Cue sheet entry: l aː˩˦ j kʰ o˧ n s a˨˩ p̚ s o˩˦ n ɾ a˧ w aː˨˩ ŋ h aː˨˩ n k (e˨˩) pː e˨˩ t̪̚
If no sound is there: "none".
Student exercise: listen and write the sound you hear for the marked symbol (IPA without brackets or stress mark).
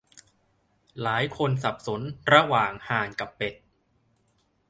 a˨˩